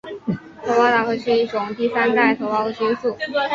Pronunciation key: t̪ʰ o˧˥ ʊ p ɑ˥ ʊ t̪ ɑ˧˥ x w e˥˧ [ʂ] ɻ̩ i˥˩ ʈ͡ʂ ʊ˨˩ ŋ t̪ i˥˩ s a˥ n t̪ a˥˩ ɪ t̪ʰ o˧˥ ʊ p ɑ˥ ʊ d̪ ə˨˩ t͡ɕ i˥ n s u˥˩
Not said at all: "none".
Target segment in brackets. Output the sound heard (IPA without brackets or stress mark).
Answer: ʂ